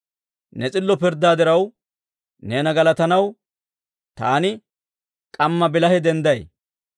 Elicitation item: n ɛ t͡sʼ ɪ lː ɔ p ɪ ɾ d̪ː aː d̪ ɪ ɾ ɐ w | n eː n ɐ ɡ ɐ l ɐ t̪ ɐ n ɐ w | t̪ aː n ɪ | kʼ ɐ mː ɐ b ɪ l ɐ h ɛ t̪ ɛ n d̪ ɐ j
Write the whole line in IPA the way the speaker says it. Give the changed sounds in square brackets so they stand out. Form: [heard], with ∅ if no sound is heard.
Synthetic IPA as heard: n ɛ t͡sʼ ɪ lː ɔ p ɪ ɾ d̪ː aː d̪ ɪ ɾ ɐ w | n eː n ɐ ɡ ɐ l ɐ t̪ ɐ n ɐ w | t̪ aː n ɪ | kʼ ɐ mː ɐ b ɪ l ɐ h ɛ [d̪] ɛ n d̪ ɐ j